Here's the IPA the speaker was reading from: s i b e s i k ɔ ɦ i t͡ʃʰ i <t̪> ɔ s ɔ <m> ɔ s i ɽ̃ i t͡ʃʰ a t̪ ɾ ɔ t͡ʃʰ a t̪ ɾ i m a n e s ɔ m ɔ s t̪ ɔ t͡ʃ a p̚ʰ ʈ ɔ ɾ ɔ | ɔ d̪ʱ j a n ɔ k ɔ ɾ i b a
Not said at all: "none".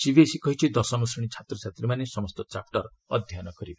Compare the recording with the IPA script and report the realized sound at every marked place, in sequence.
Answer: d̪, m

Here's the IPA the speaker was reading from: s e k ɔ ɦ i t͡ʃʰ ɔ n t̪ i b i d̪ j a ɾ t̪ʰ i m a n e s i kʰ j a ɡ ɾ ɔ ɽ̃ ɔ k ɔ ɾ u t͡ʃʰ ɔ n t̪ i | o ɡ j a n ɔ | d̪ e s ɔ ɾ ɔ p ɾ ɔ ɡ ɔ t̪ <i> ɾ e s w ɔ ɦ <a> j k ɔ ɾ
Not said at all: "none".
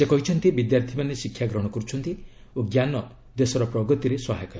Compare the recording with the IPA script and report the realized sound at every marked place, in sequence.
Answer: i, a

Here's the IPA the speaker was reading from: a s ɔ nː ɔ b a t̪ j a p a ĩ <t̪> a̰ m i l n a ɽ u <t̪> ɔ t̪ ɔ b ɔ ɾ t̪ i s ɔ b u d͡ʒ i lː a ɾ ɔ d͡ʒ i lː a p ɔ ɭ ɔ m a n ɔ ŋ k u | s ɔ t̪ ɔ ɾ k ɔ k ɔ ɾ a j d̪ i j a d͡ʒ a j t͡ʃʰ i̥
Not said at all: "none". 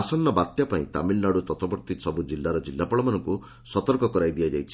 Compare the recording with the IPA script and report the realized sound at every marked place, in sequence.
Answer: t̪, t̪

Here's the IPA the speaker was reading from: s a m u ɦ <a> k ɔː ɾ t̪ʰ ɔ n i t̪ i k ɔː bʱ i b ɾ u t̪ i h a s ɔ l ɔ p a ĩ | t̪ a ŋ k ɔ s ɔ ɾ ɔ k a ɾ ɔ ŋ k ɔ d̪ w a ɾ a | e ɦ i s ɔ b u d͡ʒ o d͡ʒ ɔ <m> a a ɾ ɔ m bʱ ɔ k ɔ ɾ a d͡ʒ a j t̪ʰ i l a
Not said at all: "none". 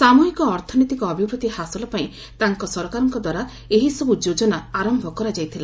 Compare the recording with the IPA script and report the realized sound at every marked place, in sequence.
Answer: i, n

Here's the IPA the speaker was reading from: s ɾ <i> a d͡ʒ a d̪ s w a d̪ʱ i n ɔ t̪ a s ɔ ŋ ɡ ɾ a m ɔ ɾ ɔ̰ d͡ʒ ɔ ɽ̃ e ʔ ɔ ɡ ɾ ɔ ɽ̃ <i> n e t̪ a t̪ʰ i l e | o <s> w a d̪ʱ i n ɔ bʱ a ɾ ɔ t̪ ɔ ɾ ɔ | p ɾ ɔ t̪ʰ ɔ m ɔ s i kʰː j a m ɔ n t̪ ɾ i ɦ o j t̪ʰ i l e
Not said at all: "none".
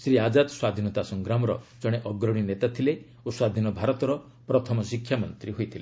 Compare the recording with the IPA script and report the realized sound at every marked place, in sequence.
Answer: i, i, s

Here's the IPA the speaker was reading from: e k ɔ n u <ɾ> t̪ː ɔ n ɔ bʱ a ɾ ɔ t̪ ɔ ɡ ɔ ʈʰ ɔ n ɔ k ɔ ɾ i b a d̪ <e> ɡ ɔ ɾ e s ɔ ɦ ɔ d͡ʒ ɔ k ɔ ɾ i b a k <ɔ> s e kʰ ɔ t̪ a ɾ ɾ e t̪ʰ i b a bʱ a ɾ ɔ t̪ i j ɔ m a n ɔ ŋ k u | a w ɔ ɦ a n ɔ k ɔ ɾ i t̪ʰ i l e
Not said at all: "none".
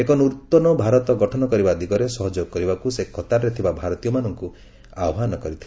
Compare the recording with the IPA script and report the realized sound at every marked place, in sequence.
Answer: ɾ, i, u

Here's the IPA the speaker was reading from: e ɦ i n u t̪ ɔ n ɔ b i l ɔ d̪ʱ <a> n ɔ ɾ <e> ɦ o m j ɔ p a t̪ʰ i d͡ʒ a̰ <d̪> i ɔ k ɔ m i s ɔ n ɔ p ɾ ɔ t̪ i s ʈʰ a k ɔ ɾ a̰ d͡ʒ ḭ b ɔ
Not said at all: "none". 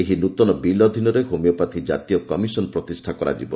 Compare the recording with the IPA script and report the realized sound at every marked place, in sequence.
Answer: i, e, t̪

